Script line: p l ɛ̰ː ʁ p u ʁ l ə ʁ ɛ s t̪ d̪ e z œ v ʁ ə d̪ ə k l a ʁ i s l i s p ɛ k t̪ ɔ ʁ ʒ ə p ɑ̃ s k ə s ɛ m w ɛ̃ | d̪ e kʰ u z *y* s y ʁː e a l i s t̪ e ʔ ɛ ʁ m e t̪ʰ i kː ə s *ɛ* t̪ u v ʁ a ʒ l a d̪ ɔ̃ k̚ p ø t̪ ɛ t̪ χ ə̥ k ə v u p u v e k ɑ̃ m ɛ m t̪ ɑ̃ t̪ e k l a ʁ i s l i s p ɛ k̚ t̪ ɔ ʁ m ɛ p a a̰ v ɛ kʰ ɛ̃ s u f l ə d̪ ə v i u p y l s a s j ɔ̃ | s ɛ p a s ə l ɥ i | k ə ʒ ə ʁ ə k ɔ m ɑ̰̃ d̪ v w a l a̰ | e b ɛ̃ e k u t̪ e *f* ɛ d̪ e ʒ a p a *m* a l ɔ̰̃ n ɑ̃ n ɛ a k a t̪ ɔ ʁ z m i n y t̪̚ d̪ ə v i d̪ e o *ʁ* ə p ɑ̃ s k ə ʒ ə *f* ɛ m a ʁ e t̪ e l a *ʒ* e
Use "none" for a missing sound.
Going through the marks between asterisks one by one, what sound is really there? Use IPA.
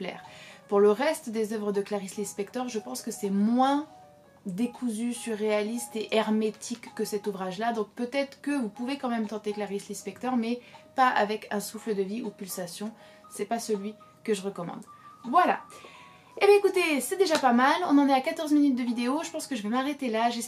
y, ɛ, s, m, ʒ, v, ʒ

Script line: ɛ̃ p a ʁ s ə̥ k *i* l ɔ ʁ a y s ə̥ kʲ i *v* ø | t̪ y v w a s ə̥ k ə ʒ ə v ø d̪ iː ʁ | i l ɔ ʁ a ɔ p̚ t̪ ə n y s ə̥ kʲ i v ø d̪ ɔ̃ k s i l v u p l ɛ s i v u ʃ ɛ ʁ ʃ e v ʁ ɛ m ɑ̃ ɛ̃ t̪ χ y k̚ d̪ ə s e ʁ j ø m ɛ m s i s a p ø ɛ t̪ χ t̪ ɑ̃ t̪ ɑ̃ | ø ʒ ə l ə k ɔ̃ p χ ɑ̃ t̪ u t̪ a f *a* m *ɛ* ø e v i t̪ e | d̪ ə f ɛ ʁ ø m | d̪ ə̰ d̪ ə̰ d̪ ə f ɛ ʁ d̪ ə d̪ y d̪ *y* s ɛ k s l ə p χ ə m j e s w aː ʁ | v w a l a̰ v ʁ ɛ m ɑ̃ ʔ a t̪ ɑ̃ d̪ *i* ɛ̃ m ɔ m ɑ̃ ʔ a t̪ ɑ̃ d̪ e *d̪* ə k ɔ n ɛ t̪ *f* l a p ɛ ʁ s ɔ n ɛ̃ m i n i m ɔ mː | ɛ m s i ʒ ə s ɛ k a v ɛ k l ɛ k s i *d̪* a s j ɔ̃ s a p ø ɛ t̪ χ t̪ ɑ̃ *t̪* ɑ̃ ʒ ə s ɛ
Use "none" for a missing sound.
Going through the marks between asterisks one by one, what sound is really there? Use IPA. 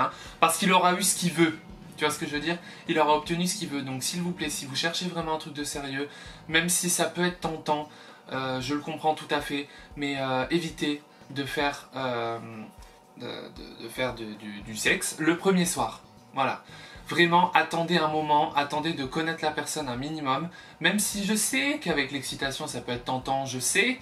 i, v, ɛ, ɛ, y, e, d̪, χ, t̪, t̪

